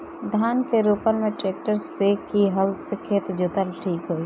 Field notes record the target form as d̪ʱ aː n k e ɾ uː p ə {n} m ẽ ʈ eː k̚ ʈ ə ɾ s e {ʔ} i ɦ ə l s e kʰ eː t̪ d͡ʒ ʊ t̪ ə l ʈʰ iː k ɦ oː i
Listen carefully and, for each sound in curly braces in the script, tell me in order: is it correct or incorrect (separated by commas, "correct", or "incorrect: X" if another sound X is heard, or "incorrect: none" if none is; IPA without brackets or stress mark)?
correct, incorrect: k